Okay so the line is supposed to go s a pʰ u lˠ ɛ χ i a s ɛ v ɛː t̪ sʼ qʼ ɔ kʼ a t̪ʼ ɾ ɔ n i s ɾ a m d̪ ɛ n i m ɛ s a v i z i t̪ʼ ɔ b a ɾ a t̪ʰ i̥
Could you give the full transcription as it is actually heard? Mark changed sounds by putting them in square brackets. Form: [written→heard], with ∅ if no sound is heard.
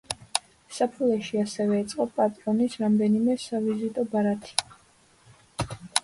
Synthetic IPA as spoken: s a pʰ u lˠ ɛ [χ→ʃ] i a s ɛ v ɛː t̪ sʼ qʼ ɔ [kʼ→pʼ] a t̪ʼ ɾ ɔ n i s ɾ a m d̪ ɛ n i m ɛ s a v i z i t̪ʼ ɔ b a ɾ a t̪ʰ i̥